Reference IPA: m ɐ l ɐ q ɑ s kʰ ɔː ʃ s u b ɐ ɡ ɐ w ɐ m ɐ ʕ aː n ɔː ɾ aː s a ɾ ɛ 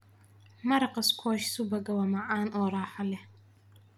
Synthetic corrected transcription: m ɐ ɾ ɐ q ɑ s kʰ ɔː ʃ s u b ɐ ɡ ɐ w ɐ m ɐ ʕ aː n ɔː ɾ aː ħ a l ɛ